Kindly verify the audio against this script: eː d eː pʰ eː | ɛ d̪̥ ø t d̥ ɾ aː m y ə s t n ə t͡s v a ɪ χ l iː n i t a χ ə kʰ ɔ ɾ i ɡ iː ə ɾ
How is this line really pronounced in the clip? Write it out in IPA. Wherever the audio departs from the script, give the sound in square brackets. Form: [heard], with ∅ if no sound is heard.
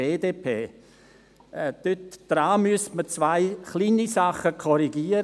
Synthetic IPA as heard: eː d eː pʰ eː | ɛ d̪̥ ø t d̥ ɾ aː m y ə s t [m] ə t͡s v a ɪ χ l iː n i [s] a χ ə kʰ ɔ ɾ i ɡ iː ə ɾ